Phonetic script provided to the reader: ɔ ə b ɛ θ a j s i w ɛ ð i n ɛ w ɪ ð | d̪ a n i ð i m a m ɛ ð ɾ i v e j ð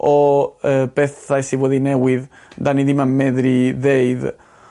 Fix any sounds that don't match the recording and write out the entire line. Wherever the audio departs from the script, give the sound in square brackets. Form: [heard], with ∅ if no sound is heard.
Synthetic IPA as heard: ɔ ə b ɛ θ a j s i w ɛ ð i n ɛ w ɪ ð | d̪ a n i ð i m a m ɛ ð ɾ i [ð] e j ð